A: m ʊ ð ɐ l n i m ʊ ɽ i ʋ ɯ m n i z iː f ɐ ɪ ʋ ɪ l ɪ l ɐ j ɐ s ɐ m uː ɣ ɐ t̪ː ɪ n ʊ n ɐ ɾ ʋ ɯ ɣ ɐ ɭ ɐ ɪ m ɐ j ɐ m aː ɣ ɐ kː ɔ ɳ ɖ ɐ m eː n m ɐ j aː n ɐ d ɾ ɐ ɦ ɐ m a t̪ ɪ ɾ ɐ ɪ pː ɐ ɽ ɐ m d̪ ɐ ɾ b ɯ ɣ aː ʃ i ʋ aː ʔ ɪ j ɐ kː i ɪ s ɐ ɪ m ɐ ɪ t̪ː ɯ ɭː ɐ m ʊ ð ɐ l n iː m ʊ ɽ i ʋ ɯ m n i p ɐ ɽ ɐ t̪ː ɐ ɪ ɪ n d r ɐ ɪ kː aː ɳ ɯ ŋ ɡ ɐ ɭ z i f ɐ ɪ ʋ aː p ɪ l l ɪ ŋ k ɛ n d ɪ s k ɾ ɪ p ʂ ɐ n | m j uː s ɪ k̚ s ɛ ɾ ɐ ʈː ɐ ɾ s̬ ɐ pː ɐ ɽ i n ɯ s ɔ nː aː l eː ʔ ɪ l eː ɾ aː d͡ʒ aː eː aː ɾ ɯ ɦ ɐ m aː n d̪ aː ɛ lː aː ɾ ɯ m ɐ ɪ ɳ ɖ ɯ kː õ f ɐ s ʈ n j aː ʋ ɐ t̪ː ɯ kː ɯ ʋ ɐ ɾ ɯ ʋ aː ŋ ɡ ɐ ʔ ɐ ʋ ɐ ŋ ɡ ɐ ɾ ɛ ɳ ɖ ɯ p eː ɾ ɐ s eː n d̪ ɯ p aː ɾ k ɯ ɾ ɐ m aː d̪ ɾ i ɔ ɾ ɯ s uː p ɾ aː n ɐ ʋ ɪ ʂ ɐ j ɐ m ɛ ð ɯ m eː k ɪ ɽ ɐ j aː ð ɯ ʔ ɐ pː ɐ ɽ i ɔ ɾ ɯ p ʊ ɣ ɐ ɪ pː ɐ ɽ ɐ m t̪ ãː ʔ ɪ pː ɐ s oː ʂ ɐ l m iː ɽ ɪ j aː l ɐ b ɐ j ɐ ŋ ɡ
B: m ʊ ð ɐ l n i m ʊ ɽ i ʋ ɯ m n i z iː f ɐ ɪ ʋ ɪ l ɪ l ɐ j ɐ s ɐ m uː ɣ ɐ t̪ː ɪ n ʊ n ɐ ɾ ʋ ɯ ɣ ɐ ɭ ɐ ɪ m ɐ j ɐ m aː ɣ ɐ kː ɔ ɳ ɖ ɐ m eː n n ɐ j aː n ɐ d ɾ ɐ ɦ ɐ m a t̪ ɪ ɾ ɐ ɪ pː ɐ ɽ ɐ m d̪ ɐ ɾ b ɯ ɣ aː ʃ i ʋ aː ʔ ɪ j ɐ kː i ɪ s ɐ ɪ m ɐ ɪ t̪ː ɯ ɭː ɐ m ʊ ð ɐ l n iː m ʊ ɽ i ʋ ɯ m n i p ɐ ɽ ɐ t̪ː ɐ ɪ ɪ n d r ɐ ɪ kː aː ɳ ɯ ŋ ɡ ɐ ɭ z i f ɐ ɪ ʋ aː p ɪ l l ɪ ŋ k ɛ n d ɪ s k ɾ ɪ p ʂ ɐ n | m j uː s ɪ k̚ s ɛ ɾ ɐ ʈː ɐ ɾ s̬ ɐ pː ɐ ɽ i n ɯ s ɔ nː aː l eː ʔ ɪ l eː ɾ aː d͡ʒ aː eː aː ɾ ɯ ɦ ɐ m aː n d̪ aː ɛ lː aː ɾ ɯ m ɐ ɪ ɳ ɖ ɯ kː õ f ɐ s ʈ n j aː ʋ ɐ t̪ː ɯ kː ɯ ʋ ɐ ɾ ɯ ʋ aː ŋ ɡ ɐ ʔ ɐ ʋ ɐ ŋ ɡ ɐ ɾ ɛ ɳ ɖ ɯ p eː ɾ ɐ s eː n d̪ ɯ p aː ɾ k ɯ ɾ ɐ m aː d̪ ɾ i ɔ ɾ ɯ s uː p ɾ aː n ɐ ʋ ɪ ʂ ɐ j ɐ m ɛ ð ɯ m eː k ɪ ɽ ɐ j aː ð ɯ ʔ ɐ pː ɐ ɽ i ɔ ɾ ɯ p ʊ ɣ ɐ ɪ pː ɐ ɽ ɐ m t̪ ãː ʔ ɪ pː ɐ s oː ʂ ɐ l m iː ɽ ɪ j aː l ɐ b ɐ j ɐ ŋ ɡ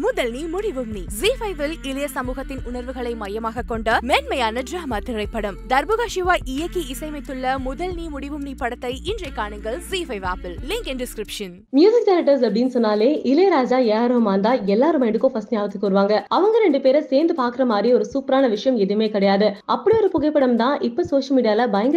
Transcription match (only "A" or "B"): A